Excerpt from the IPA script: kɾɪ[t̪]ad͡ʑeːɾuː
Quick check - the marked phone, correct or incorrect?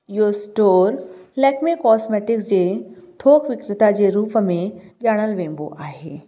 correct